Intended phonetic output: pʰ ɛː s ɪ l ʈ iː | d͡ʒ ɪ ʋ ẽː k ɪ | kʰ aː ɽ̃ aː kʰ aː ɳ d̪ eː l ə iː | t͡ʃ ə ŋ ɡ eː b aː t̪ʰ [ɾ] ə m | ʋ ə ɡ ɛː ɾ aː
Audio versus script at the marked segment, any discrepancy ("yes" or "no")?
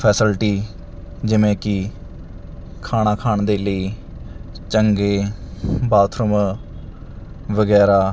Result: no